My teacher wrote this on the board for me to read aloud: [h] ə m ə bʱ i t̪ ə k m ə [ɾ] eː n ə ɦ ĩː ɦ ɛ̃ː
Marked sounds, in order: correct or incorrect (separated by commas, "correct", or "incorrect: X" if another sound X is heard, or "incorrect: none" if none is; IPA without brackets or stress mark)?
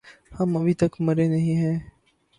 correct, correct